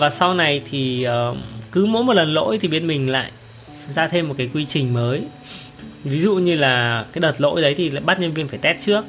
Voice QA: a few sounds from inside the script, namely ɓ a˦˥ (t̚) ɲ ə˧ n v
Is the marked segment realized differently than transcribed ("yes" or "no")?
no